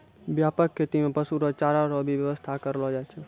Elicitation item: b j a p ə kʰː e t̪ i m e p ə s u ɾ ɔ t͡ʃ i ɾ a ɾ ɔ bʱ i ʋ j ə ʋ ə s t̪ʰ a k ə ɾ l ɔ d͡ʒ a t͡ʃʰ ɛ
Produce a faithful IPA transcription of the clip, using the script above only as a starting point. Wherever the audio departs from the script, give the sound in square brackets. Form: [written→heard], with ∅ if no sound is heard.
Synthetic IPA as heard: b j a p ə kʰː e t̪ i m e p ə s u ɾ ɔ t͡ʃ [i→a] ɾ a ɾ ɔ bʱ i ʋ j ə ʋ ə s t̪ʰ a k ə ɾ l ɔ d͡ʒ a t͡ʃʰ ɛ

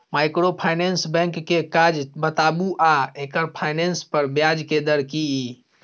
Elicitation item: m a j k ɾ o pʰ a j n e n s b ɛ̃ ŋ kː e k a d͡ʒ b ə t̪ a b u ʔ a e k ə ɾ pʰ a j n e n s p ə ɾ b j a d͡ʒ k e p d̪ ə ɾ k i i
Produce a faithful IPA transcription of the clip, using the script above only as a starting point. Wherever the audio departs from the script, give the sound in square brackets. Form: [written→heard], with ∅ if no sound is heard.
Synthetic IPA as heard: m a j k ɾ o pʰ a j n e n s b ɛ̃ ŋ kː e k a d͡ʒ b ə t̪ a b u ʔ a e k ə ɾ pʰ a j n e n s p ə ɾ b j a d͡ʒ k e [p→∅] d̪ ə ɾ k i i

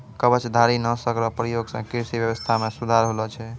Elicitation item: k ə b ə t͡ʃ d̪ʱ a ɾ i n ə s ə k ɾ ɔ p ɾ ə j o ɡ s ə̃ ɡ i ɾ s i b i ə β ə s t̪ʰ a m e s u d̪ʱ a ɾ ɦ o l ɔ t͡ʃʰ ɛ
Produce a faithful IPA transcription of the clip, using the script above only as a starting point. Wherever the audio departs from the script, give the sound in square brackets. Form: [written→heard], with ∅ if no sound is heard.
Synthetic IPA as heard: k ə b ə t͡ʃ d̪ʱ a ɾ i n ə s ə k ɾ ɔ p ɾ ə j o ɡ s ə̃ [ɡ→k] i ɾ s i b [i→j] ə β ə s t̪ʰ a m e s u d̪ʱ a ɾ ɦ o l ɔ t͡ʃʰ ɛ

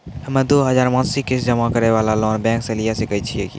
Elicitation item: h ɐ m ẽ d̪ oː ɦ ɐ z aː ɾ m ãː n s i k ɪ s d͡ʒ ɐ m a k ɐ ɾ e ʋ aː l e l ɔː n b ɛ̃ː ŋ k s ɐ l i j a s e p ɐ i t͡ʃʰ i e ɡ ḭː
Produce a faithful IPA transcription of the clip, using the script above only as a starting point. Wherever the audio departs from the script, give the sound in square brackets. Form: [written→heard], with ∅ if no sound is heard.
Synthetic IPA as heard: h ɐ m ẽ d̪ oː ɦ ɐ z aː ɾ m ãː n s i k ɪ s d͡ʒ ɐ m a k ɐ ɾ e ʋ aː l [e→a] l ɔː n b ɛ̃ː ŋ k s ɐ l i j a s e [p→k] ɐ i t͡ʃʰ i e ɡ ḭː

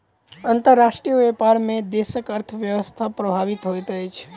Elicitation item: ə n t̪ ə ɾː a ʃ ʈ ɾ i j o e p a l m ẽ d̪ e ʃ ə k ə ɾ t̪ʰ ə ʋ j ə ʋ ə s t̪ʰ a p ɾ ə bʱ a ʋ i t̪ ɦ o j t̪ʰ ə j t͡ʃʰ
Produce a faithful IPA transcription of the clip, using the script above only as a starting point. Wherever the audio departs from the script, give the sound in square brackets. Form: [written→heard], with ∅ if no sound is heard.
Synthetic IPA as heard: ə n t̪ ə ɾː a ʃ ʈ ɾ i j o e p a [l→ɾ] m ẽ d̪ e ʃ ə k ə ɾ t̪ʰ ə ʋ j ə ʋ ə s t̪ʰ a p ɾ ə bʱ a ʋ i t̪ ɦ o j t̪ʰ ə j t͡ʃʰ

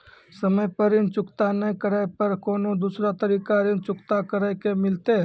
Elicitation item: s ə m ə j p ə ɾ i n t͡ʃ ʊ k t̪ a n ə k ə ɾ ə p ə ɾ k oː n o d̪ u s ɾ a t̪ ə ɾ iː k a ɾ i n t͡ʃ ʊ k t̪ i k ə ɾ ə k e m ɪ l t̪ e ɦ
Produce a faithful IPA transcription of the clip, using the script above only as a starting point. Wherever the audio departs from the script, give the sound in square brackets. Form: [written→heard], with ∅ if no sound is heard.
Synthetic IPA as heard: s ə m ə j p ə ɾ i n t͡ʃ ʊ k t̪ a n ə k ə ɾ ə p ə ɾ k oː n o d̪ u s ɾ a t̪ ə ɾ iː k a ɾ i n t͡ʃ ʊ k t̪ [i→a] k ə ɾ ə k e m ɪ l t̪ e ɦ

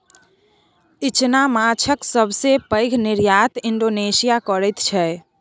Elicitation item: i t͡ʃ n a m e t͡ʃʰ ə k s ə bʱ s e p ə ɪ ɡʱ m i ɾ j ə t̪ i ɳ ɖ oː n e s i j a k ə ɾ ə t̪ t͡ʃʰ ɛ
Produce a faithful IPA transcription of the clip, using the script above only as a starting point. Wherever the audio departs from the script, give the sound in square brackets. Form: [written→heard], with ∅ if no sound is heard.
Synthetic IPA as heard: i t͡ʃ n a m [e→a] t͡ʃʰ ə k s ə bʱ s e p ə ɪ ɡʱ [m→n] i ɾ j [ə→a] t̪ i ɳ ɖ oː n e s i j a k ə ɾ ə t̪ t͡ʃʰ ɛ

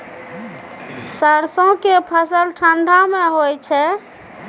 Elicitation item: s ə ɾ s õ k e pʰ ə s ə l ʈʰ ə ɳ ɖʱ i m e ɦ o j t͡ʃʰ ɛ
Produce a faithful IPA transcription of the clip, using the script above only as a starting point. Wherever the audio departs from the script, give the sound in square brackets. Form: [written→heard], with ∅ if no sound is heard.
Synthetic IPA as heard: s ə ɾ s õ k e pʰ ə s ə l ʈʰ ə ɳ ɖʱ [i→a] m e ɦ o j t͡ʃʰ ɛ

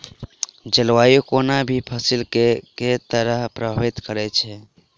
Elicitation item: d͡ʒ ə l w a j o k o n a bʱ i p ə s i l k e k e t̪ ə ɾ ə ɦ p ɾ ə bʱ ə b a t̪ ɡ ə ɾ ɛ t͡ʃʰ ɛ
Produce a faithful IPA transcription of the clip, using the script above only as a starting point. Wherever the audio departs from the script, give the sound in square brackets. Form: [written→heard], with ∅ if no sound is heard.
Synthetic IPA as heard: d͡ʒ ə l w a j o k o n a bʱ i [p→pʰ] ə s i l k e k e t̪ ə ɾ ə ɦ p ɾ ə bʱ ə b [a→i] t̪ [ɡ→k] ə ɾ ɛ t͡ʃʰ ɛ

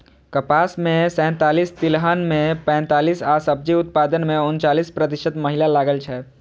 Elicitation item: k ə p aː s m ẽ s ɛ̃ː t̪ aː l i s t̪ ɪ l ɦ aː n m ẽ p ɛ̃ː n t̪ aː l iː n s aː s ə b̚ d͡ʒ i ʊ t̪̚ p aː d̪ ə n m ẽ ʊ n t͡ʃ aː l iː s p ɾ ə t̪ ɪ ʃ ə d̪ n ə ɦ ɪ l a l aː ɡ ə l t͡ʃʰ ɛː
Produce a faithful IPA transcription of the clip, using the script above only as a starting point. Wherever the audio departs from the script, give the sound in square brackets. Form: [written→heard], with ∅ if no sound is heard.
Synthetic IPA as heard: k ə p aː s m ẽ s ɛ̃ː t̪ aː l i s t̪ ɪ l ɦ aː n m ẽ p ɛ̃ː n t̪ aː l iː [n→∅] s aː s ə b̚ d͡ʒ i ʊ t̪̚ p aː d̪ ə n m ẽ ʊ n t͡ʃ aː l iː s p ɾ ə t̪ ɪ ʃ ə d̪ [n→m] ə ɦ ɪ l a l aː ɡ ə l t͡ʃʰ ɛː

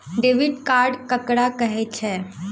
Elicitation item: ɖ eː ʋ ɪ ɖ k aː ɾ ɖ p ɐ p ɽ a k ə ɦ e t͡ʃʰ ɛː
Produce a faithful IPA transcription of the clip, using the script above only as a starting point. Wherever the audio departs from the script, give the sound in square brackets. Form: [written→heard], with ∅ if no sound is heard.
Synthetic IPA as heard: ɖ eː ʋ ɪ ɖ k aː ɾ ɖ [p→k] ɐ [p→k] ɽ a k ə ɦ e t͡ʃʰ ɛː

